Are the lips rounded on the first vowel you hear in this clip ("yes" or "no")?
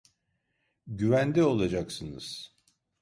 yes